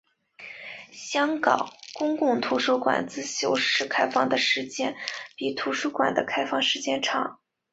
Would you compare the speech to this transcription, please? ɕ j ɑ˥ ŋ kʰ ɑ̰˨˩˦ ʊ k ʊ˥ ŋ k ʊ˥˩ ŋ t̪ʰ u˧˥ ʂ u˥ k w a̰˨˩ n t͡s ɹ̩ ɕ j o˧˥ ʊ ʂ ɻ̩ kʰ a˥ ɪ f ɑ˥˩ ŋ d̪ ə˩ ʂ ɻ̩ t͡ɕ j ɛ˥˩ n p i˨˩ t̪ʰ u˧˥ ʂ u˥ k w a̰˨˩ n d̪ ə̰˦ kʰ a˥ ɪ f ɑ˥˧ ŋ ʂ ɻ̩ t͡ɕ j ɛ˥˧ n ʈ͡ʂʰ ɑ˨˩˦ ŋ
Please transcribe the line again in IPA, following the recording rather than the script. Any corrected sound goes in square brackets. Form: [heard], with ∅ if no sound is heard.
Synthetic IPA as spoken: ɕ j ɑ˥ ŋ [k] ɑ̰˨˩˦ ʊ k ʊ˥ ŋ k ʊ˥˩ ŋ t̪ʰ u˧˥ ʂ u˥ k w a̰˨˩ n t͡s ɹ̩ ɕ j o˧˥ ʊ ʂ ɻ̩ kʰ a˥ ɪ f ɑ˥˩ ŋ d̪ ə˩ ʂ ɻ̩ t͡ɕ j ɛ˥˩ n p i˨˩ t̪ʰ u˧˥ ʂ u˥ k w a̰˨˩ n d̪ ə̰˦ kʰ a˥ ɪ f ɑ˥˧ ŋ ʂ ɻ̩ t͡ɕ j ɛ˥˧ n ʈ͡ʂʰ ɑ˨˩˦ ŋ

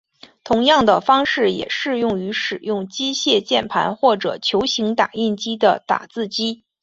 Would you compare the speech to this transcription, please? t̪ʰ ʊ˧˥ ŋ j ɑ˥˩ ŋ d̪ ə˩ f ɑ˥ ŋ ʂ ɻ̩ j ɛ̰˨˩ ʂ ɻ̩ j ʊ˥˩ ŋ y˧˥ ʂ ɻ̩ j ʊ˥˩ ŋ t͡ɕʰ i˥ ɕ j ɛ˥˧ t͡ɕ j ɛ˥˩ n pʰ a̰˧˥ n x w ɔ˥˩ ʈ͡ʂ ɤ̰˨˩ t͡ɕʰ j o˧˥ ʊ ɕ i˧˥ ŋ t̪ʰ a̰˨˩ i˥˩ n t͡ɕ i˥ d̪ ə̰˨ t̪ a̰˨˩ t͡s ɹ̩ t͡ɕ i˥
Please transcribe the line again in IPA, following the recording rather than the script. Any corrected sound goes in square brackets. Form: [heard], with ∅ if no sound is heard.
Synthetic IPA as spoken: t̪ʰ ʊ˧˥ ŋ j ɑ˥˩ ŋ d̪ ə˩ f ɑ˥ ŋ ʂ ɻ̩ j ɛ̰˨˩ ʂ ɻ̩ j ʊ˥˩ ŋ y˧˥ ʂ ɻ̩ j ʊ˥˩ ŋ [t͡ɕ] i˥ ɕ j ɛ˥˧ t͡ɕ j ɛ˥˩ n pʰ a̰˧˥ n x w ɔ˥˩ ʈ͡ʂ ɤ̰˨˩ t͡ɕʰ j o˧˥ ʊ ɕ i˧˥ ŋ [t̪] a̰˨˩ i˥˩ n t͡ɕ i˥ d̪ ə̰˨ t̪ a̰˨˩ t͡s ɹ̩ t͡ɕ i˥

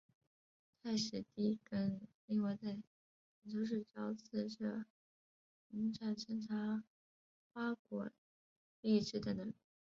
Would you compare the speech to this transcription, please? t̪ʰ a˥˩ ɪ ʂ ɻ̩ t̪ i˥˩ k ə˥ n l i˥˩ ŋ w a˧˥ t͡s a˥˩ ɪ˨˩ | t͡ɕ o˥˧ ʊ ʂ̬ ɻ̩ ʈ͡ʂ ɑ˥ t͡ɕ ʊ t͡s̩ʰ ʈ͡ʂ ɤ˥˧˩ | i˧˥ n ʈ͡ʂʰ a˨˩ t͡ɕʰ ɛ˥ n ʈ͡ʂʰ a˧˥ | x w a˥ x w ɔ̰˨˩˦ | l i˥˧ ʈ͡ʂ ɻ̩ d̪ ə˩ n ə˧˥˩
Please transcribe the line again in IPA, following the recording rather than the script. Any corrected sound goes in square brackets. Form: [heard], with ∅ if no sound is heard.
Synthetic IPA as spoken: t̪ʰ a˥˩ ɪ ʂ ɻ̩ t̪ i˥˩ k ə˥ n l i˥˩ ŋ w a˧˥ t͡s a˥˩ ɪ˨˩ | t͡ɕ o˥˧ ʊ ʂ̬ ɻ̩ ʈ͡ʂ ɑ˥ [∅] ʊ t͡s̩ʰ ʈ͡ʂ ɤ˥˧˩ | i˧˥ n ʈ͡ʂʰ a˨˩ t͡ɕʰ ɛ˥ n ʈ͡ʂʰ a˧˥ | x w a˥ [k] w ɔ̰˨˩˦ | l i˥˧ ʈ͡ʂ ɻ̩ d̪ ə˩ n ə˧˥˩

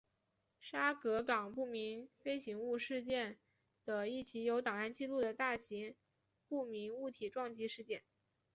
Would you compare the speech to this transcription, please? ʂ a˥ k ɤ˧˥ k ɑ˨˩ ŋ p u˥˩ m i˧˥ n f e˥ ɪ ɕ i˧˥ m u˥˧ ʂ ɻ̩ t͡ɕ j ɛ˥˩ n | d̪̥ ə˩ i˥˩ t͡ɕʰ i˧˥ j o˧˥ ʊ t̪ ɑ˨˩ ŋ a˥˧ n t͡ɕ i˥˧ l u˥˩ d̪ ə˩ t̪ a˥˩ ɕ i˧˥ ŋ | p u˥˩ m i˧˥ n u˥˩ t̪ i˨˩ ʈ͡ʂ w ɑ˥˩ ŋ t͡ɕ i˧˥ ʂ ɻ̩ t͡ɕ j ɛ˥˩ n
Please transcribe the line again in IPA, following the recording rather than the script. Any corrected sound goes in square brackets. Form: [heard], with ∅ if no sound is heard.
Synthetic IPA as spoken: ʂ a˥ k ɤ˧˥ k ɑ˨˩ ŋ p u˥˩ m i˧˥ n f e˥ ɪ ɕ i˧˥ [ŋ] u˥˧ ʂ ɻ̩ t͡ɕ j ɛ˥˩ n | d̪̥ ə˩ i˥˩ t͡ɕʰ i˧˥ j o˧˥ ʊ t̪ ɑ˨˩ ŋ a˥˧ n t͡ɕ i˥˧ l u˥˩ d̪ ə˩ t̪ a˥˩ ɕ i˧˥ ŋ | p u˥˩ m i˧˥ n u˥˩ [t̪ʰ] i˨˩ ʈ͡ʂ w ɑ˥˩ ŋ t͡ɕ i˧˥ ʂ ɻ̩ t͡ɕ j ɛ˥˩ n

